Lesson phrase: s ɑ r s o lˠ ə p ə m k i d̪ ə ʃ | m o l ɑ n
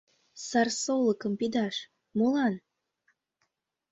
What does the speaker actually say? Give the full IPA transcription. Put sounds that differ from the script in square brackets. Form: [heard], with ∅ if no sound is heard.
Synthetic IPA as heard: s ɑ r s o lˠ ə [k] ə m [p] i d̪ [ɑ] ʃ | m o l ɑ n

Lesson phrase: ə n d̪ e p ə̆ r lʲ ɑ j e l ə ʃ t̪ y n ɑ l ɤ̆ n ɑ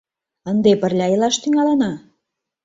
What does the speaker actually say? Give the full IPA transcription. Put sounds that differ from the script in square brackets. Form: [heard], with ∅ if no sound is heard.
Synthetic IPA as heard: ə n d̪ e p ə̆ r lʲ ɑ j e l [ɑ] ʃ t̪ y [ŋ] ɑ l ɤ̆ n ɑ

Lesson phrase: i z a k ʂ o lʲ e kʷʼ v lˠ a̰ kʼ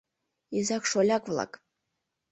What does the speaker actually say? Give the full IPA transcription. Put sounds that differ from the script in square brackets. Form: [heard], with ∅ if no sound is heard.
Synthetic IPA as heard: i z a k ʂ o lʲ [a] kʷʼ v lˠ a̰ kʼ

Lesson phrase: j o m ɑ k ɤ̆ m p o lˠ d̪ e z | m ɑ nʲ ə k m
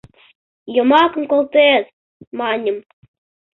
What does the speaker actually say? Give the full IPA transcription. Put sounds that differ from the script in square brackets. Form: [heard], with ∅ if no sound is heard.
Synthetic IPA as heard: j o m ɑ k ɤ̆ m [k] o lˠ [t̪] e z | m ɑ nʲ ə [∅] m

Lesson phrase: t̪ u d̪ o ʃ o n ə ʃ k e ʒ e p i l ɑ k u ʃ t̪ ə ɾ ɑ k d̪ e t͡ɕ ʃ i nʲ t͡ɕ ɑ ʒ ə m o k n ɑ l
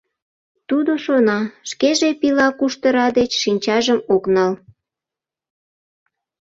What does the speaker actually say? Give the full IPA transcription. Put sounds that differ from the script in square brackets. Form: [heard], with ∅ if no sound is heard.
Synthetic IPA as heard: t̪ u d̪ o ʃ o n [ɑ] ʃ k e ʒ e p i l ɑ k u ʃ t̪ ə ɾ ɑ [∅] d̪ e t͡ɕ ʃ i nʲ t͡ɕ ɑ ʒ ə m o k n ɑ l

